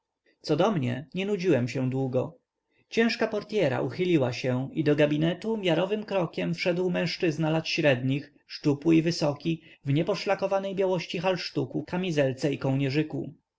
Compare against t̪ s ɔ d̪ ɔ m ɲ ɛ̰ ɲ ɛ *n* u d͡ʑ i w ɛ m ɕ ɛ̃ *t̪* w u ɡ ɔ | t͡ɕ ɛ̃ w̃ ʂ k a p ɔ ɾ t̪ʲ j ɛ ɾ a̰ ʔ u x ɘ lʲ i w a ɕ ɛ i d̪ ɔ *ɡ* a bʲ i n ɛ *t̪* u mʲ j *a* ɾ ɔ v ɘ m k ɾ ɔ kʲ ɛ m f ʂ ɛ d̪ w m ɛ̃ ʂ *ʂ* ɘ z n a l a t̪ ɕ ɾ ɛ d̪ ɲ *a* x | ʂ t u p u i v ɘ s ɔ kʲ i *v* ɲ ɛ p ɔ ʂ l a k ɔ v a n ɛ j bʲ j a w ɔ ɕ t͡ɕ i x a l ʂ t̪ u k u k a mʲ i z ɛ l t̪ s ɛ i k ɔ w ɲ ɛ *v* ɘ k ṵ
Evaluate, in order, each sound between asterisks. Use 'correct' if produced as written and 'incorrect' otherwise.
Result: correct, incorrect, correct, correct, correct, incorrect, incorrect, correct, incorrect

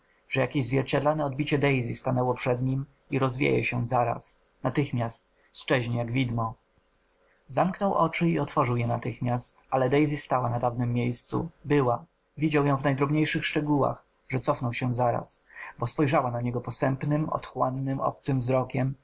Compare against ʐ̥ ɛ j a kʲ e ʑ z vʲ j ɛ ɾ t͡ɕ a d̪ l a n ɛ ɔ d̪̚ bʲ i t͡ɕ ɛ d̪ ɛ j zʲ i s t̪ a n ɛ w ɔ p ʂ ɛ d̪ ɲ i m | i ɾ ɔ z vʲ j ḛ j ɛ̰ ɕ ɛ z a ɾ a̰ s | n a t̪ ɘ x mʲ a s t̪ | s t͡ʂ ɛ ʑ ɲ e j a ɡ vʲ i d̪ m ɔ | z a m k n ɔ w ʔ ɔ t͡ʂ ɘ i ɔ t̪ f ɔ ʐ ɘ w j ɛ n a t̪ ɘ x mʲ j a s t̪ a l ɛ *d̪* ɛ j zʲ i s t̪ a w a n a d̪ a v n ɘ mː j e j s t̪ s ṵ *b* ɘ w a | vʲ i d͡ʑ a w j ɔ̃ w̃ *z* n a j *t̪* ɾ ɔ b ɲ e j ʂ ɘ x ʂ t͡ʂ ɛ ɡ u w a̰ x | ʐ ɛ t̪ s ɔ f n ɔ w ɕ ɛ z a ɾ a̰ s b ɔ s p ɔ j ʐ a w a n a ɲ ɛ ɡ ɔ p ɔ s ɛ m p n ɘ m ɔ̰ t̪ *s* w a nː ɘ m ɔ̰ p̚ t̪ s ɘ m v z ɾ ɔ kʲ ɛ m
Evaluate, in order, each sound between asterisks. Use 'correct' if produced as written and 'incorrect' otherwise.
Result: correct, correct, incorrect, incorrect, incorrect

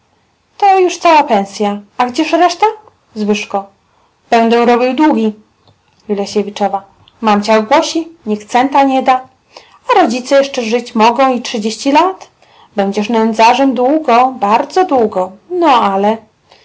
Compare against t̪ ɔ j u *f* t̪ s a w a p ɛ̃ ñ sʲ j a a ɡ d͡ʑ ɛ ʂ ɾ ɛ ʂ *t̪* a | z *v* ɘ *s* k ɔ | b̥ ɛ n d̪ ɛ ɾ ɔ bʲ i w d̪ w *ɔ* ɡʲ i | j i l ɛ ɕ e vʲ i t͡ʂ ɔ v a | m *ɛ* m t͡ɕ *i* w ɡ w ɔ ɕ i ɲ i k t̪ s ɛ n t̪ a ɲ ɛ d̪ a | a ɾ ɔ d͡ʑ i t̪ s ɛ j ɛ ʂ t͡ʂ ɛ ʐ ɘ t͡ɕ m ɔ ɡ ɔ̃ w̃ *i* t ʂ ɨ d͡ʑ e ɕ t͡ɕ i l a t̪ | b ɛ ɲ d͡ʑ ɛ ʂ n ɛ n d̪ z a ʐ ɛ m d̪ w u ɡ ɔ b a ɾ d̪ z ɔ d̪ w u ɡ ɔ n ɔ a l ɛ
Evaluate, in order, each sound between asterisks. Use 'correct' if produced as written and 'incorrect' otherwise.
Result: incorrect, correct, correct, incorrect, incorrect, incorrect, incorrect, correct

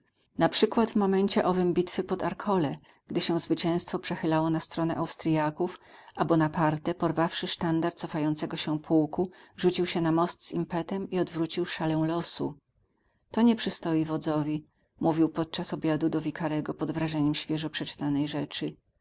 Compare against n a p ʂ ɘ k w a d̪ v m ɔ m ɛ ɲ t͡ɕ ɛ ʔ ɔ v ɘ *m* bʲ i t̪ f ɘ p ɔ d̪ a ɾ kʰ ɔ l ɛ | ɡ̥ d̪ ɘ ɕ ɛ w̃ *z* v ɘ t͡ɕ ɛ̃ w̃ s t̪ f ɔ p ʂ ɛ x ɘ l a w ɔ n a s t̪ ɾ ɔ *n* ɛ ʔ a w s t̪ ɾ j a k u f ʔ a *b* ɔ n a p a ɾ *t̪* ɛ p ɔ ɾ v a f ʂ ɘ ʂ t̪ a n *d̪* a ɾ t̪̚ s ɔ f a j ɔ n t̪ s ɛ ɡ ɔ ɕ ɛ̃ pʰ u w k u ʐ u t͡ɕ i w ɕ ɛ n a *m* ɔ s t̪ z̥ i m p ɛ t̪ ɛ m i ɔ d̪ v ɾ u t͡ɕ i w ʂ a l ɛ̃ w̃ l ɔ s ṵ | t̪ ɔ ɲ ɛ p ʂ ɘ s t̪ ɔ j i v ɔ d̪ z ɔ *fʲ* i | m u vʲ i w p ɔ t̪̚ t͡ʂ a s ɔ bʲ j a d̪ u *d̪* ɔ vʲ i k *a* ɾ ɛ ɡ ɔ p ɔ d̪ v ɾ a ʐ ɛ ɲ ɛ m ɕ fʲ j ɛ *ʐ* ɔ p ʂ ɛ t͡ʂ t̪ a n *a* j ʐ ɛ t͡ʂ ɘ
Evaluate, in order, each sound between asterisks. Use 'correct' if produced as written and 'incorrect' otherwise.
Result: correct, correct, correct, correct, correct, correct, correct, incorrect, correct, correct, correct, incorrect

